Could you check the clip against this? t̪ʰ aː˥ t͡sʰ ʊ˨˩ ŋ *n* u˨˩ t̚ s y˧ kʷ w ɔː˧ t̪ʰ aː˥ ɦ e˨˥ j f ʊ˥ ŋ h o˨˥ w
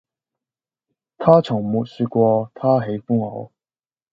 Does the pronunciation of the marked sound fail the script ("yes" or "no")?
yes